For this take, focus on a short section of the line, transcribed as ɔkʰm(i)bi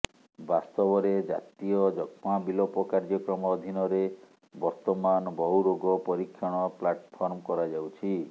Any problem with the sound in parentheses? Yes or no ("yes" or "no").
yes